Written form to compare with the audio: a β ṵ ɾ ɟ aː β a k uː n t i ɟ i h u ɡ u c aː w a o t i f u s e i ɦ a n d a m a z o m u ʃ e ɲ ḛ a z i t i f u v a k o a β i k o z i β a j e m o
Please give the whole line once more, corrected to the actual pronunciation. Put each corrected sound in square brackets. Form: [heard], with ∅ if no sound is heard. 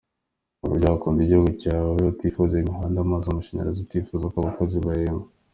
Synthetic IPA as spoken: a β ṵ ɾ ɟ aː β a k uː n [d] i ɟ i h u ɡ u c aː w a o t i f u [z] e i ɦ a n d a m a z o m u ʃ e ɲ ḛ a z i t i f u [z] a k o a β [a] k o z i β a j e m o